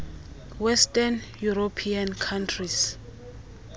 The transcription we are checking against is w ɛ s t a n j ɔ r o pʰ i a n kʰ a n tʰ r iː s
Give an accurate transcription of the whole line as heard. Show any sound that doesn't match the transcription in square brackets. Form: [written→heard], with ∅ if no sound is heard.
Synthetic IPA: w ɛ s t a n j [ɔ→u] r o pʰ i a n kʰ a n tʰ r [iː→i] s